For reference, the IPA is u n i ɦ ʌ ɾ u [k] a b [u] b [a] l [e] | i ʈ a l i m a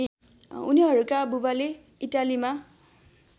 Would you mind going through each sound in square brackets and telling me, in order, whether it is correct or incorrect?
correct, correct, correct, correct

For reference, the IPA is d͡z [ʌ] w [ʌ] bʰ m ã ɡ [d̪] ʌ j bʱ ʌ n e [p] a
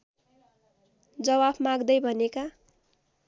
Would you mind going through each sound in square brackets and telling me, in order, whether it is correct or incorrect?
correct, incorrect: a, correct, incorrect: k

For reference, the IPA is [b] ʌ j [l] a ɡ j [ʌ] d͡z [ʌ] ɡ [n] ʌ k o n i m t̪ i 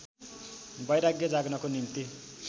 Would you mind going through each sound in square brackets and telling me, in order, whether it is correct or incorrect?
correct, incorrect: ɾ, correct, incorrect: a, correct

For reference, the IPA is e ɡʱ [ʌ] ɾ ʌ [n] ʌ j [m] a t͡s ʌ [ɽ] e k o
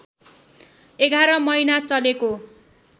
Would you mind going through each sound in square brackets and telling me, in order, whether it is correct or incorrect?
incorrect: a, incorrect: m, incorrect: n, incorrect: l

